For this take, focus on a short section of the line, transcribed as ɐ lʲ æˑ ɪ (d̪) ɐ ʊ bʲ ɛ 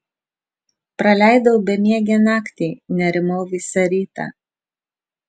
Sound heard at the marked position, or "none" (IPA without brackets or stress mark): d̪